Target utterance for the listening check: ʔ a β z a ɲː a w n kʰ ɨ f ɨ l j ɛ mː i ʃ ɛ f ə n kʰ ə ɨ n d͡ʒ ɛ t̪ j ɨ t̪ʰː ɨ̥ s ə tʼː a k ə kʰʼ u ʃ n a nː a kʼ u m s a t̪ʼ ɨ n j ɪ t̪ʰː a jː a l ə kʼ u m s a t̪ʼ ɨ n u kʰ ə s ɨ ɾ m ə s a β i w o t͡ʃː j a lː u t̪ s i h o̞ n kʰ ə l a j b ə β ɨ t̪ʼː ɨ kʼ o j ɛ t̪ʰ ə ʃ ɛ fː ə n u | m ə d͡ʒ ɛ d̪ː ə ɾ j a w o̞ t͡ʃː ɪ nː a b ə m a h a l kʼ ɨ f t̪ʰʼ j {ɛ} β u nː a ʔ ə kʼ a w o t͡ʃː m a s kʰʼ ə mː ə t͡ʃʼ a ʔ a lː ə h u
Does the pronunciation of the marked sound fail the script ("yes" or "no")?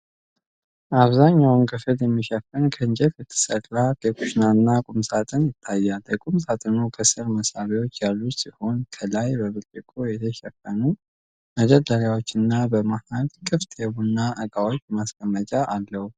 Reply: no